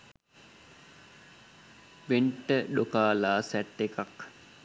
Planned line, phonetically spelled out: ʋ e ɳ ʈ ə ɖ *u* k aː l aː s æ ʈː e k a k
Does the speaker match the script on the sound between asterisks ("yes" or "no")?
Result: no